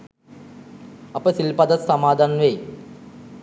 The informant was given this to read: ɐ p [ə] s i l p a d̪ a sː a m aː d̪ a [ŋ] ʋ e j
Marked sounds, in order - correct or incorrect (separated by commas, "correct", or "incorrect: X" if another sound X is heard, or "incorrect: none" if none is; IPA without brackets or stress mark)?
correct, incorrect: n